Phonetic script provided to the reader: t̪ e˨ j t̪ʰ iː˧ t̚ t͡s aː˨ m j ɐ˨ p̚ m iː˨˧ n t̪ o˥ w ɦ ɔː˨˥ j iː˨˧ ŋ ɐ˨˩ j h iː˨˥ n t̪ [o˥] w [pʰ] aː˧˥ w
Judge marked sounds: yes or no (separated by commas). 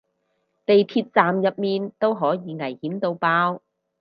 no, no